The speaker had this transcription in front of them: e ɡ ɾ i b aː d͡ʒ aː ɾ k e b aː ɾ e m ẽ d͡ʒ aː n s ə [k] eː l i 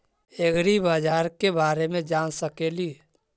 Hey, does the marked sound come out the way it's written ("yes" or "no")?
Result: yes